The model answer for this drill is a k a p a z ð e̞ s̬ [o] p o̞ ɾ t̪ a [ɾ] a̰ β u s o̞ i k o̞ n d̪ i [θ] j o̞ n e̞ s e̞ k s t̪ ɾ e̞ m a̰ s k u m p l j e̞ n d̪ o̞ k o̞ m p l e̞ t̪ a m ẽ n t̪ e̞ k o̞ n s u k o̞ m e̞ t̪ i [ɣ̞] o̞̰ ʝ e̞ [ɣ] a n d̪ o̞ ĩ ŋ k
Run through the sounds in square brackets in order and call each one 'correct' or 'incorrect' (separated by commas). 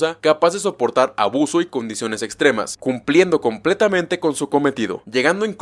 correct, correct, incorrect, incorrect, correct